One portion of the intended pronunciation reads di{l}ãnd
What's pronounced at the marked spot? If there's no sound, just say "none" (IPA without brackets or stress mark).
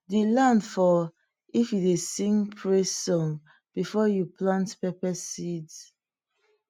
l